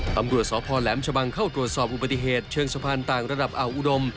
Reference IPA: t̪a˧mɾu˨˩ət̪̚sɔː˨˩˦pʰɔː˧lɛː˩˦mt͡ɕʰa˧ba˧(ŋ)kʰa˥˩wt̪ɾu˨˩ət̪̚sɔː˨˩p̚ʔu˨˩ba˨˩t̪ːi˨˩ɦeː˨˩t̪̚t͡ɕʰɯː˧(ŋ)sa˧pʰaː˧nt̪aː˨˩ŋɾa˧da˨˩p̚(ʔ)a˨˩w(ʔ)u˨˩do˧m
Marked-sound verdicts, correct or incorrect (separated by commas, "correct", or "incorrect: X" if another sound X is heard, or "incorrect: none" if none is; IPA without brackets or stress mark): correct, correct, correct, correct